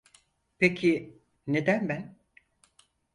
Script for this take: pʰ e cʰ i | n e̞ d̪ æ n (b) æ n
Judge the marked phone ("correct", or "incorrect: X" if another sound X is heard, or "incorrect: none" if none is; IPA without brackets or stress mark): correct